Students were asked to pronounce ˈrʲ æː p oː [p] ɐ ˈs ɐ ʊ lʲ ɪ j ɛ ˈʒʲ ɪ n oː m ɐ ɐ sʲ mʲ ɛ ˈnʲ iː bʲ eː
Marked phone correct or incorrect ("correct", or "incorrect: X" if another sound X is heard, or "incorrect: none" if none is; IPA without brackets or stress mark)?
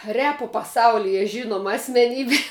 correct